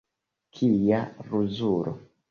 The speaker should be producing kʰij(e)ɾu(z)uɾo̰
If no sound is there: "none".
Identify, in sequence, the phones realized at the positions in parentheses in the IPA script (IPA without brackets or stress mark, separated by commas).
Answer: a, z